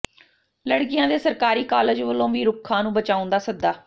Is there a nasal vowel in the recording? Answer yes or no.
yes